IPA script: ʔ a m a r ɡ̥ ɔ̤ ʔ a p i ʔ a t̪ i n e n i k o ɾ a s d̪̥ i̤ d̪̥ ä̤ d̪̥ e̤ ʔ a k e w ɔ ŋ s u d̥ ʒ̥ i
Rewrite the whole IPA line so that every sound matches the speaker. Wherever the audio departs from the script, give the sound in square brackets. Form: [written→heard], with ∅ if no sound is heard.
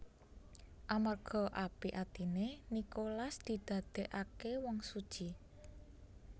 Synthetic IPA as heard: ʔ a m a r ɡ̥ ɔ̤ ʔ a p i ʔ a t̪ i n e n i k o [ɾ→l] a s d̪̥ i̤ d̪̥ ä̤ d̪̥ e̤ ʔ a k e w ɔ ŋ s u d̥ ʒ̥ i